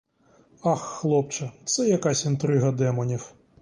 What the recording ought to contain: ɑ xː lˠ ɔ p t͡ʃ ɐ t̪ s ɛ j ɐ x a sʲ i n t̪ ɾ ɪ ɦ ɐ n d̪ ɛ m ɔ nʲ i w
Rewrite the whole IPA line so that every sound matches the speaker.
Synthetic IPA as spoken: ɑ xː lˠ ɔ p t͡ʃ ɐ t̪ s ɛ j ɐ k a sʲ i n t̪ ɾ ɪ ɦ ɐ d̪ ɛ m ɔ nʲ i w